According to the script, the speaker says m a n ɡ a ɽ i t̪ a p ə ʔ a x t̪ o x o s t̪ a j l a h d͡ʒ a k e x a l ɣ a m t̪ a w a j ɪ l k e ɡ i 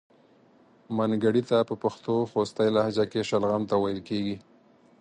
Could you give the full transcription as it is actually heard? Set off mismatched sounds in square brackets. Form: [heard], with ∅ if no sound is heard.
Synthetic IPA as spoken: m a n ɡ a ɽ i t̪ a p ə [p] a x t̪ o x o s t̪ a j l a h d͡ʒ a k e [ʃ] a l ɣ a m t̪ a w a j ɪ l k e ɡ i